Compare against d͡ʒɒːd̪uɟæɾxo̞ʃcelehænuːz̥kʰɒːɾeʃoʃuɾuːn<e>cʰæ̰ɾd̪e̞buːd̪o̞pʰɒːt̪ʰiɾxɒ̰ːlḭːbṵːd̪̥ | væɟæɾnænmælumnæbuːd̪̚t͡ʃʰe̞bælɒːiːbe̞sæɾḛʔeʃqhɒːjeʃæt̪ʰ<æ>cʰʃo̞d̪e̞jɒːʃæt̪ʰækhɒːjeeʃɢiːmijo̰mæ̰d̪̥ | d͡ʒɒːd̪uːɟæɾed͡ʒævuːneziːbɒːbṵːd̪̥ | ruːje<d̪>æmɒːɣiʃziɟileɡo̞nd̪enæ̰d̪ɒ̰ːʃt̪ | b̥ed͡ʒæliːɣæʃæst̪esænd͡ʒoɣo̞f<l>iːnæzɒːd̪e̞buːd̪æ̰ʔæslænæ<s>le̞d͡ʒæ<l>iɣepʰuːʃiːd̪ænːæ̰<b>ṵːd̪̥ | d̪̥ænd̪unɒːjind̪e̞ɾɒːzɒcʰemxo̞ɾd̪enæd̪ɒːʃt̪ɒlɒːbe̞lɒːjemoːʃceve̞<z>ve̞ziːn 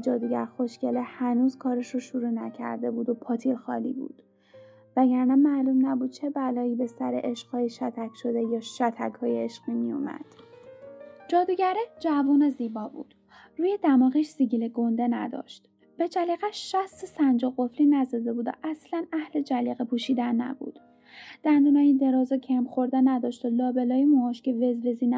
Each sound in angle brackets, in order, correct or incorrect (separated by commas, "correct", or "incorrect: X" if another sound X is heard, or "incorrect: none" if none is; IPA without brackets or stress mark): incorrect: æ, correct, correct, correct, incorrect: h, correct, correct, correct